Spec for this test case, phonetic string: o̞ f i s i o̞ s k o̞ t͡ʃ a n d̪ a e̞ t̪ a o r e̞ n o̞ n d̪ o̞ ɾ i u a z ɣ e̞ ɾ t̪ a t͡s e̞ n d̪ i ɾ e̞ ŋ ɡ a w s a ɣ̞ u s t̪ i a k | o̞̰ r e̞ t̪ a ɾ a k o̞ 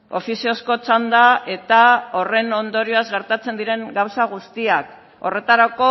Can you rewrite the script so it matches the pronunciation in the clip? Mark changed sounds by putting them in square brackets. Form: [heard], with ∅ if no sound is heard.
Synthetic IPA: o̞ f i s i o̞ s k o̞ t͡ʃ a n d̪ a e̞ t̪ a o r e̞ n o̞ n d̪ o̞ ɾ i [o] a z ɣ e̞ ɾ t̪ a t͡s e̞ n d̪ i ɾ e̞ ŋ ɡ a w s a ɣ̞ u s t̪ i a k | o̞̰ r e̞ t̪ a ɾ a k o̞